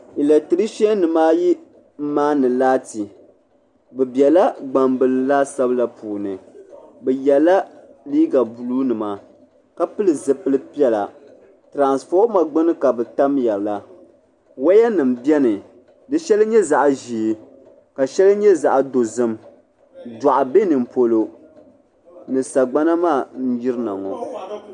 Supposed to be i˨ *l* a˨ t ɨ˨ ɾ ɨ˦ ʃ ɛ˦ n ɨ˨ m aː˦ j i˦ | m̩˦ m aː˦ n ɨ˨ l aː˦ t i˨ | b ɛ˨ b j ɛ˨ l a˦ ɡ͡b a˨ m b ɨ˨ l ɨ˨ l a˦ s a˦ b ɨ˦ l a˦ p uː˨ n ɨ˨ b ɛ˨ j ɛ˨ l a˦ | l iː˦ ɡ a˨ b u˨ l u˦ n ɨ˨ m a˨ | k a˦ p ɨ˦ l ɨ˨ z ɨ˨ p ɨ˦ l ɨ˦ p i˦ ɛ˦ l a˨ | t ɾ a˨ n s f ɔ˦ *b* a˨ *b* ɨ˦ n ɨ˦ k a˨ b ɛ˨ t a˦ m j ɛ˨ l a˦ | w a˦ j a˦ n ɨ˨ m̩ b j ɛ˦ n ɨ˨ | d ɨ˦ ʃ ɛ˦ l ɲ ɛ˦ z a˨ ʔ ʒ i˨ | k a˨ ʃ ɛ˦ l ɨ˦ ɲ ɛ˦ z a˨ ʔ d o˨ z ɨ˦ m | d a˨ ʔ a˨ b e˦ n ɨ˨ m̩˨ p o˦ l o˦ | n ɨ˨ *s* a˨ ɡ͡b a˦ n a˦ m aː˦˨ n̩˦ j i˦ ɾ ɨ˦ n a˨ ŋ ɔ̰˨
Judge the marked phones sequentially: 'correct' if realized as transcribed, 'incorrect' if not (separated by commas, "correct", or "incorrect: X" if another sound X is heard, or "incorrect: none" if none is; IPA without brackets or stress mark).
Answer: correct, incorrect: m, incorrect: ɡ͡b, correct